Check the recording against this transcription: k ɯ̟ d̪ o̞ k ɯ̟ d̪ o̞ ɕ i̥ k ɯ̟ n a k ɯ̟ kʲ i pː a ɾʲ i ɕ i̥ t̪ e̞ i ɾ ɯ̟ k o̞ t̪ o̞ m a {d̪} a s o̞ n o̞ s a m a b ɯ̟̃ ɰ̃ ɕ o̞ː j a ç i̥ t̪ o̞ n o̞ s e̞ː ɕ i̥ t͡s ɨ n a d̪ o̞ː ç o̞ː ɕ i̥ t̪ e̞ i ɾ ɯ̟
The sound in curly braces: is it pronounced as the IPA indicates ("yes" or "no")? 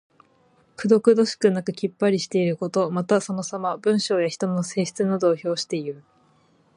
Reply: no